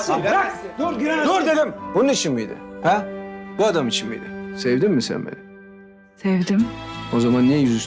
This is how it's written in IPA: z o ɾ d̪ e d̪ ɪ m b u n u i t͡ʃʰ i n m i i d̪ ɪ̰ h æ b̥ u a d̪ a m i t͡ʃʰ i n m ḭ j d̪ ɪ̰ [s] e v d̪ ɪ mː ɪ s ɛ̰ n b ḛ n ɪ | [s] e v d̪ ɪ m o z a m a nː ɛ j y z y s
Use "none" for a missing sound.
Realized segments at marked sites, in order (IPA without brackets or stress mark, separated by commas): s, s